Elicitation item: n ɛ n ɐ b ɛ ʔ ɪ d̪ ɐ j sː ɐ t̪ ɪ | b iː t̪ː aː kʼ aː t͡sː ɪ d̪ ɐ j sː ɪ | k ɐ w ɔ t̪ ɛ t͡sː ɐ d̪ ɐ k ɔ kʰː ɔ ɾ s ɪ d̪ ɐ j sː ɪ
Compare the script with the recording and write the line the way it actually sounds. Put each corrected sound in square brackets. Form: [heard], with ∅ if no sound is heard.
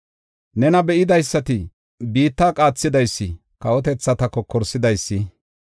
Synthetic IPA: n ɛ n ɐ b ɛ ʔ ɪ d̪ ɐ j sː ɐ t̪ ɪ | b iː t̪ː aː kʼ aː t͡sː ɪ d̪ ɐ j sː ɪ | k ɐ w ɔ t̪ ɛ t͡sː ɐ [t̪] ɐ k ɔ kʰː ɔ ɾ s ɪ d̪ ɐ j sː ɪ